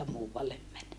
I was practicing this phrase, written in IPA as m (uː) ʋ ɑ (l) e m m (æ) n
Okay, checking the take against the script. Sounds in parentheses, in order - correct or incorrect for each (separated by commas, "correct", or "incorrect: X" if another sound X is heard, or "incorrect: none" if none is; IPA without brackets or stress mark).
correct, incorrect: lː, correct